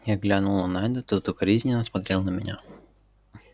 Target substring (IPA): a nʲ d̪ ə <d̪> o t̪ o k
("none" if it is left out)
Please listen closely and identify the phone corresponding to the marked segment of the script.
t̪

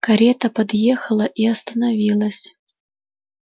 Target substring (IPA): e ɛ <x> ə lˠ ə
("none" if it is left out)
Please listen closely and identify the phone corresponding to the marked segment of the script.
x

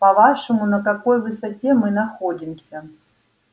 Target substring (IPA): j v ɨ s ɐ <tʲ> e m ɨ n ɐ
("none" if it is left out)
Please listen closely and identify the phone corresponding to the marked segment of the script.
tʲ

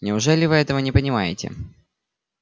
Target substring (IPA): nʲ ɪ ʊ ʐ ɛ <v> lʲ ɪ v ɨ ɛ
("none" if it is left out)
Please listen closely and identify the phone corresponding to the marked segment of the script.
none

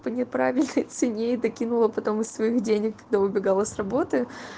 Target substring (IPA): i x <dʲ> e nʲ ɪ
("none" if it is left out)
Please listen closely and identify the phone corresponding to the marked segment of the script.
dʲ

